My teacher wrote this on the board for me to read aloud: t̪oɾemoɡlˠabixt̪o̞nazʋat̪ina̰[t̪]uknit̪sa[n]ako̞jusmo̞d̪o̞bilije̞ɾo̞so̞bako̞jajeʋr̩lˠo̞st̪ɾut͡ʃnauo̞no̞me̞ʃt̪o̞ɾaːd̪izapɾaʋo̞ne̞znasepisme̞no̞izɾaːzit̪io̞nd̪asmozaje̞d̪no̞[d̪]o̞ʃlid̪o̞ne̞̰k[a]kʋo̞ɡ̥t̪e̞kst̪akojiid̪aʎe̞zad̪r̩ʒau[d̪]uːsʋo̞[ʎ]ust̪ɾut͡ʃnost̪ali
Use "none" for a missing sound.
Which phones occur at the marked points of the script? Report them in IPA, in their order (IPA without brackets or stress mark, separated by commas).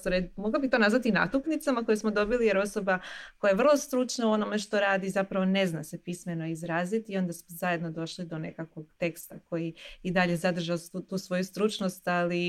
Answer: t̪, m, d̪, a, t̪, j